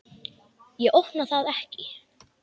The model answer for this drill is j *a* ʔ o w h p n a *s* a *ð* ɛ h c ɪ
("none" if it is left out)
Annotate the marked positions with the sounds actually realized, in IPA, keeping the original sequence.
ɛ, θ, ð

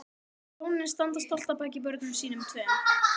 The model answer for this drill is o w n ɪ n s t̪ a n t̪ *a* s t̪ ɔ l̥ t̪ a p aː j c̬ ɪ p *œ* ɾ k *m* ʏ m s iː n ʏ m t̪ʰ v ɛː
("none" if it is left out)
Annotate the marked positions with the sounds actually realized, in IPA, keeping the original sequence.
a, œ, n

